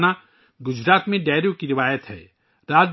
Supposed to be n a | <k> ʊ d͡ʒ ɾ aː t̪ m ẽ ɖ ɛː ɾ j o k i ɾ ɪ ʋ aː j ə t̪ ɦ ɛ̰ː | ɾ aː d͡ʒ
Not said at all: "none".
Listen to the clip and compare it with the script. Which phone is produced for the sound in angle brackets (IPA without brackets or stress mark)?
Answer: ɡ